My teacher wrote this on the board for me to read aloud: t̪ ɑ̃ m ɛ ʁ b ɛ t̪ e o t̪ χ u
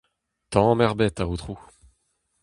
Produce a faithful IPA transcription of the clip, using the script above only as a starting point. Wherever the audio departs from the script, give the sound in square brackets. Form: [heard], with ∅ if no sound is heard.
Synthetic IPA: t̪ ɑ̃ m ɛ ʁ b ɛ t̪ [a] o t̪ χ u